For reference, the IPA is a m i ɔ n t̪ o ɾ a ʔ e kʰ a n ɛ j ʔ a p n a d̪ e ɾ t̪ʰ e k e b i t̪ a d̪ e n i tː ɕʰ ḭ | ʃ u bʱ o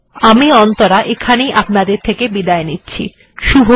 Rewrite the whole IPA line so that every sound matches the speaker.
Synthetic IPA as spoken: a m i ɔ n t̪ o ɾ a ʔ e kʰ a n e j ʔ a p n a d̪ e ɾ t̪ʰ e k e b i d̪ a e n i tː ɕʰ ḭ | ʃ u bʱ o